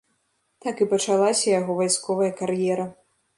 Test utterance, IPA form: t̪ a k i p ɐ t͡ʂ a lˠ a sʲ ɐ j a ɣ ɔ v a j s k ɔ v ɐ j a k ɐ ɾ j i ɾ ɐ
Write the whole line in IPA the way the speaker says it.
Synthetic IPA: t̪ a k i p ɐ t͡ʂ a lˠ a sʲ ɐ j a ɣ ɔ v a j s k ɔ v ɐ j ɐ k a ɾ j ɛ ɾ ɐ